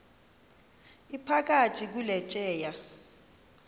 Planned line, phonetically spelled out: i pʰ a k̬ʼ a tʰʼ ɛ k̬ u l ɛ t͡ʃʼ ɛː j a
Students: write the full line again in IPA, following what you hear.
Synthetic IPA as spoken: i pʰ a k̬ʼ a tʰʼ i k̬ u l ɛ t͡ʃʼ ɛː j a

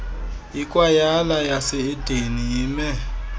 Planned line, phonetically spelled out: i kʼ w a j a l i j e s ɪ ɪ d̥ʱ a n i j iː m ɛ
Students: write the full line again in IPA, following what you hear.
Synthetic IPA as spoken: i kʼ w a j a l a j a s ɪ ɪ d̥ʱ e n i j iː m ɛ

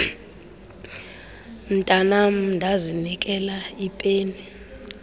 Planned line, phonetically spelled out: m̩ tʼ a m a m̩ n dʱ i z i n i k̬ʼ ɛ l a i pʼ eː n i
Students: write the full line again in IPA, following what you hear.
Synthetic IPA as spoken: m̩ tʼ a n a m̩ n dʱ a z i n i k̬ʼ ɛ l a i pʼ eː n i

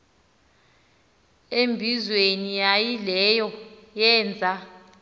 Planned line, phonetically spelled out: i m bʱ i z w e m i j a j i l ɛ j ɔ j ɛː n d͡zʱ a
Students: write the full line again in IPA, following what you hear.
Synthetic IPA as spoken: e m bʱ i z w e n i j a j i l ɛ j ɔ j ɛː n d͡zʱ a

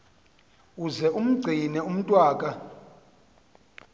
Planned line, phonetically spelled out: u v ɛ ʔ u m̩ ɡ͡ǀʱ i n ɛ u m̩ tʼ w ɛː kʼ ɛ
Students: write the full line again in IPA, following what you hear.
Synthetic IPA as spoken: u z ɛ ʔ u m̩ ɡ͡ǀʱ i n ɛ u m̩ tʼ w aː kʼ a

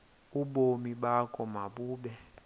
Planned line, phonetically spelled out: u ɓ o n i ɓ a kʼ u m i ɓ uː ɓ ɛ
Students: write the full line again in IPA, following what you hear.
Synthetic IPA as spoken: u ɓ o m i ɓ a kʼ ɔ m a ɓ uː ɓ ɛ

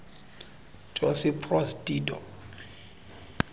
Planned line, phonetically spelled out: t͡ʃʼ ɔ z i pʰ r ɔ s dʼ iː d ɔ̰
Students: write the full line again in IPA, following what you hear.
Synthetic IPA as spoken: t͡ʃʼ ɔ s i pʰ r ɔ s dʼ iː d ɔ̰

